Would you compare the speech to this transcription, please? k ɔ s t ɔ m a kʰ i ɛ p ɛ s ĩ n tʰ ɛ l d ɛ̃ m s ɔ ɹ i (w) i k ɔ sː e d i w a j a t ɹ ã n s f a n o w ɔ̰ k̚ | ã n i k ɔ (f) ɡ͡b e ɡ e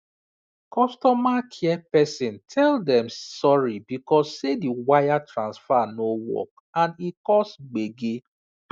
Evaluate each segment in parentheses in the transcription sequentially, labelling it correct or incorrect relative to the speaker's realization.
incorrect, incorrect

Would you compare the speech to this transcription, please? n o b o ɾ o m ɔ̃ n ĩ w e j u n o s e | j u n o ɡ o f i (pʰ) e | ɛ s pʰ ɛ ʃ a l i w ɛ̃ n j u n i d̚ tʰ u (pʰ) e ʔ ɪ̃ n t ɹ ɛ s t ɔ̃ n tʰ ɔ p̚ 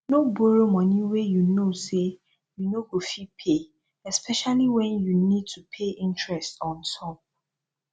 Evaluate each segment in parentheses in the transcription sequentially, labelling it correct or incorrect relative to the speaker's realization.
correct, correct

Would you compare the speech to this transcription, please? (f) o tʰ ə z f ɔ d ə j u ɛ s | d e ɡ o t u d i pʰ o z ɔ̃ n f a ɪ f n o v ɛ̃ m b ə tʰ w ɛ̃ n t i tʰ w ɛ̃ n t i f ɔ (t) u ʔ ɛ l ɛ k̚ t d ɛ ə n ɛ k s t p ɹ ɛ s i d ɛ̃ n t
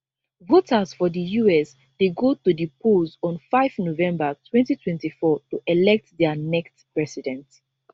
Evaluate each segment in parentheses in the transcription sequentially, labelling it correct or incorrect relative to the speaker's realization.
incorrect, correct

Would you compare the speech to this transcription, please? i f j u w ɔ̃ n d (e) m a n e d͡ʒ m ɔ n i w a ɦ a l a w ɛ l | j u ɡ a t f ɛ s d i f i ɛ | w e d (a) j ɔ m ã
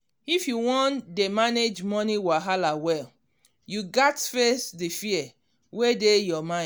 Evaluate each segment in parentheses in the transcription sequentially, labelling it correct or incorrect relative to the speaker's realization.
correct, incorrect

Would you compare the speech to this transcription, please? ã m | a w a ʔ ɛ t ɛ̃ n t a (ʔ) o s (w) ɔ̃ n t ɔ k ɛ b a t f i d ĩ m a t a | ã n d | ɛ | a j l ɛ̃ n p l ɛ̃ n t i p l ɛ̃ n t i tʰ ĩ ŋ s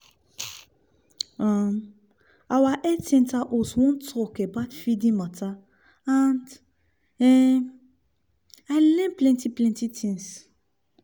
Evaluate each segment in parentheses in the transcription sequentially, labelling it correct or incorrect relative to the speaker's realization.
correct, correct

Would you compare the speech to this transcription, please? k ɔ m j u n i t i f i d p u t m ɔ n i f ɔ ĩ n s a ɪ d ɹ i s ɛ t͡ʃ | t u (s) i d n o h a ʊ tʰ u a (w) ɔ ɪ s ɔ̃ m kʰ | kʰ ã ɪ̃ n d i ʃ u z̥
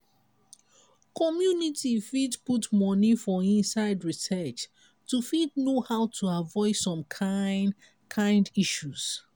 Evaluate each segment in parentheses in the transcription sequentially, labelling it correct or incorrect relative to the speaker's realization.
incorrect, incorrect

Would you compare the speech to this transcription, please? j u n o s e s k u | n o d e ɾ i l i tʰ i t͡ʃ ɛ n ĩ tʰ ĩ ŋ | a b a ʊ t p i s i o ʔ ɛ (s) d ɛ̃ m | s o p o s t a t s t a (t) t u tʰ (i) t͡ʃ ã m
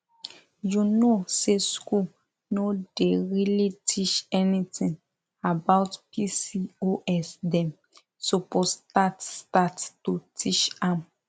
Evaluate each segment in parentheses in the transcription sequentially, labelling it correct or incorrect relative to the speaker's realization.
correct, correct, correct

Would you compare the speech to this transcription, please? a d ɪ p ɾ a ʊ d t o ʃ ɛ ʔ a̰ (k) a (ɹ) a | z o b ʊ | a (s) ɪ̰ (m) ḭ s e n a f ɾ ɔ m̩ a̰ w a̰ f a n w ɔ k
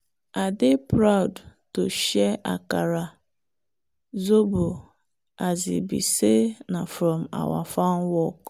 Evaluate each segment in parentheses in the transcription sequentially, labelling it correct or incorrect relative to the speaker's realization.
correct, incorrect, incorrect, incorrect

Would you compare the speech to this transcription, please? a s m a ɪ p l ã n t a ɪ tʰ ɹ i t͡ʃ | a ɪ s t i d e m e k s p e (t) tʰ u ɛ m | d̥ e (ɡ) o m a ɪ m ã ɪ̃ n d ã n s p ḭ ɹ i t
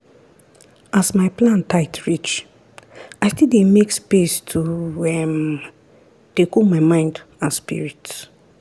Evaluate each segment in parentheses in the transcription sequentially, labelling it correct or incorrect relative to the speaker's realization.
incorrect, incorrect

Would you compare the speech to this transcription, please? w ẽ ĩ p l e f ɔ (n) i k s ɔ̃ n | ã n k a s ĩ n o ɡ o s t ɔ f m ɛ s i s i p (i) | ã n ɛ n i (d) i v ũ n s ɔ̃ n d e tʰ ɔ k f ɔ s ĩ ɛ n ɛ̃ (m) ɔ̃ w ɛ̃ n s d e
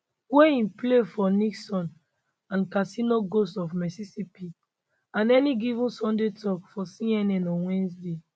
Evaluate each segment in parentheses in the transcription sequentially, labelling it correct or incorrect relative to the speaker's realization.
correct, correct, incorrect, incorrect

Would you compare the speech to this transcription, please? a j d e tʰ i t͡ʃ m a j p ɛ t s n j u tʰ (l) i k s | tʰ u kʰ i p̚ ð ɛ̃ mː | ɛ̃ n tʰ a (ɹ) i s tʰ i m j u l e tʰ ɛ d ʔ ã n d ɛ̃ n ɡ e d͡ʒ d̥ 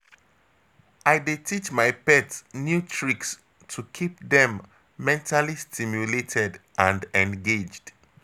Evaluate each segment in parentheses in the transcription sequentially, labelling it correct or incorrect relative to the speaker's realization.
incorrect, incorrect

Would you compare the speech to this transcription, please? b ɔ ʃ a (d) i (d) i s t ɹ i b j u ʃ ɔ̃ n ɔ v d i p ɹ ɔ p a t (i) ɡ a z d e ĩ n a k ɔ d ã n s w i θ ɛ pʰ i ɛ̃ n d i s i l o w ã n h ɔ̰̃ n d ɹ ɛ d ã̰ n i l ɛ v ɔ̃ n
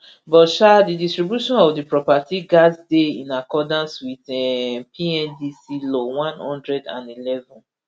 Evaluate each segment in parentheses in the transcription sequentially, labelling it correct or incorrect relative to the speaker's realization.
correct, correct, correct

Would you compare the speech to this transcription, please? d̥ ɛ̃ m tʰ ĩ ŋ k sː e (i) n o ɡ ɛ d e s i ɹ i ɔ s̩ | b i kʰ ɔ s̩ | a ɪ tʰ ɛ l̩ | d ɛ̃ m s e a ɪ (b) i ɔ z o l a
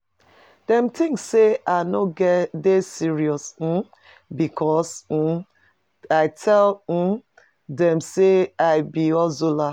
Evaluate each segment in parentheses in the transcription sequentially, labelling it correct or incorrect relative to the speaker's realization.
incorrect, correct

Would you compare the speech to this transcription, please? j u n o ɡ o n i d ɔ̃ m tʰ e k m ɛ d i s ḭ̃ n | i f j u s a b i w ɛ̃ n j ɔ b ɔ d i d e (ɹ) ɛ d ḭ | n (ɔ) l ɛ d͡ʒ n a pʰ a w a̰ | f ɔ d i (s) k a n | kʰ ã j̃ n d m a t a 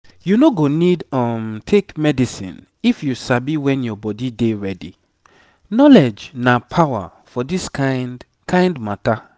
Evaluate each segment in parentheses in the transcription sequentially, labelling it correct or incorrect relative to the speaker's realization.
correct, correct, correct

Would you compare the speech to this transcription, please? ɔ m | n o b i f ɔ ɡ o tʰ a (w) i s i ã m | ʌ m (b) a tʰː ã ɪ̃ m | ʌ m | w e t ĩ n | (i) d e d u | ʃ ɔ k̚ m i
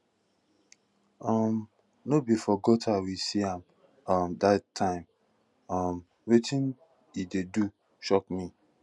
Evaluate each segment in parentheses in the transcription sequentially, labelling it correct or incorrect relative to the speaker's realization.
correct, incorrect, correct

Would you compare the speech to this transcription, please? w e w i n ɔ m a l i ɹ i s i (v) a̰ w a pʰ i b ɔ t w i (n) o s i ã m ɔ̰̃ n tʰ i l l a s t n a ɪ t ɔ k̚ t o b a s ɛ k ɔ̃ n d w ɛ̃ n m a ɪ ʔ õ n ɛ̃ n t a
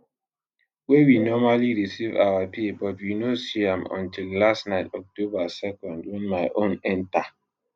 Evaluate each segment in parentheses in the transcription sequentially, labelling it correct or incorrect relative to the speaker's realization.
correct, correct

